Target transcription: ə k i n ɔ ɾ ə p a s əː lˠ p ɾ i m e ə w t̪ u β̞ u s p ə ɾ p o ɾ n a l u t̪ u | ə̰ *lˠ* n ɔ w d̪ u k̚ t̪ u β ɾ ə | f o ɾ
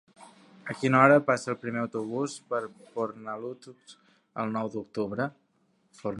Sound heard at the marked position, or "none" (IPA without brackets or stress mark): lˠ